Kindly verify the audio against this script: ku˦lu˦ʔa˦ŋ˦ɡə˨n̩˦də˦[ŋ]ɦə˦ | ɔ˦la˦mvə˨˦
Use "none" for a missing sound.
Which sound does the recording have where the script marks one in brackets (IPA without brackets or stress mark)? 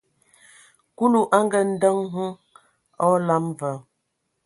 ŋ